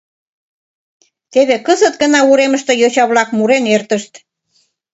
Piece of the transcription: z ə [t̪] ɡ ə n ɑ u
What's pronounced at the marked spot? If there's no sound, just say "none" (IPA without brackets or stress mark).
t̪